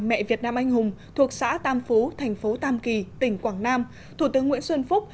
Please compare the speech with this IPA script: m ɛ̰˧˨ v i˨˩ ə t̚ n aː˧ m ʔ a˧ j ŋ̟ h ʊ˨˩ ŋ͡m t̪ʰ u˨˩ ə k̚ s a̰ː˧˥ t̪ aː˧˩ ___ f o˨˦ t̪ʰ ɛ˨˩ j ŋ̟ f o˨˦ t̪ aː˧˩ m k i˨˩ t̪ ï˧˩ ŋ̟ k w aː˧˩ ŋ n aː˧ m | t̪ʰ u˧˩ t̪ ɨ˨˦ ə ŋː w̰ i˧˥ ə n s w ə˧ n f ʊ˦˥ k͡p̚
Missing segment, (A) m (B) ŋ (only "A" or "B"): A